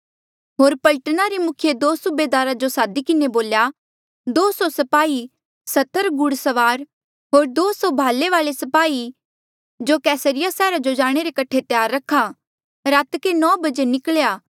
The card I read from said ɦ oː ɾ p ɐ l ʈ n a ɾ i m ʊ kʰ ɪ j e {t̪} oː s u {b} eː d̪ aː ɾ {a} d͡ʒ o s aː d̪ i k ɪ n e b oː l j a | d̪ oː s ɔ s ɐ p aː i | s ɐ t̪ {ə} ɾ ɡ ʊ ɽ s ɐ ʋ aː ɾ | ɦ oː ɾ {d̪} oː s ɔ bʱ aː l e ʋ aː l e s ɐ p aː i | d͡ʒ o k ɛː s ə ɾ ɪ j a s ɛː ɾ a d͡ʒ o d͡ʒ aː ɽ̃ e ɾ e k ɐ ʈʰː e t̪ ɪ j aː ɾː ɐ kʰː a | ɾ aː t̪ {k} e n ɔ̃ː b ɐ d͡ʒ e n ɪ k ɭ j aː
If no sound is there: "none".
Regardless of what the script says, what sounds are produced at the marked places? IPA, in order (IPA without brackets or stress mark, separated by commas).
d̪, b, a, ə, d̪, k